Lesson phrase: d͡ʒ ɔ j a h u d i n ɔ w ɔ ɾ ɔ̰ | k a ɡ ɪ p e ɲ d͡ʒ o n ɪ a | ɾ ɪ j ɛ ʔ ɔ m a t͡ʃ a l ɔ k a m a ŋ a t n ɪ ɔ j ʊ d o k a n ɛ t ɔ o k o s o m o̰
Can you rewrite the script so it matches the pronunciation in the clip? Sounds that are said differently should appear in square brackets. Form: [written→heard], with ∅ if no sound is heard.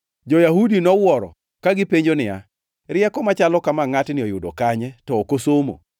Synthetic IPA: d͡ʒ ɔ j a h u d i n ɔ w ɔ ɾ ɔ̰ | k a ɡ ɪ p e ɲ d͡ʒ o n ɪ a | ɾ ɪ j ɛ [ʔ→k] ɔ m a t͡ʃ a l ɔ k a m a ŋ a t n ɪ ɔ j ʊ d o k a [n→ɲ] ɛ t ɔ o k o s o m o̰